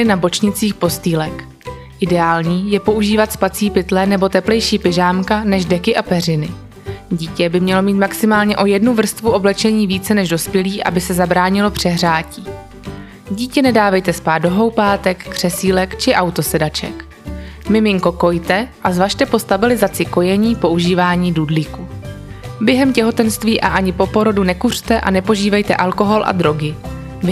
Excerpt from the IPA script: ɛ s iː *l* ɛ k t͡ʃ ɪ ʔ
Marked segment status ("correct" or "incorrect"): correct